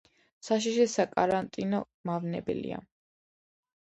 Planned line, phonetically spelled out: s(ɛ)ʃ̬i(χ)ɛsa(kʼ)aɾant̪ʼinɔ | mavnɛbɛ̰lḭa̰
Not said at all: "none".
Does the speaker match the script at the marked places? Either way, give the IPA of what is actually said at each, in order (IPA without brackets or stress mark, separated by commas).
a, ʃ, kʼ